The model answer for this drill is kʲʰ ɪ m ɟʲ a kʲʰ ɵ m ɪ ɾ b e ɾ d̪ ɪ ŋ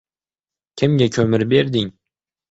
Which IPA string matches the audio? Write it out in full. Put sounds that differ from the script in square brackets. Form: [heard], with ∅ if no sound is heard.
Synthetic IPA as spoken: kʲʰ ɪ m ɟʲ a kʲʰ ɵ m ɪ ɾ b e ɾ d̪ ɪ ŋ